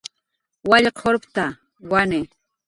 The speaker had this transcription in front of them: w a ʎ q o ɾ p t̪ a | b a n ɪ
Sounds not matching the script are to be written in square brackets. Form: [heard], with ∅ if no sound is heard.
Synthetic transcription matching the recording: w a ʎ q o ɾ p t̪ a | [w] a n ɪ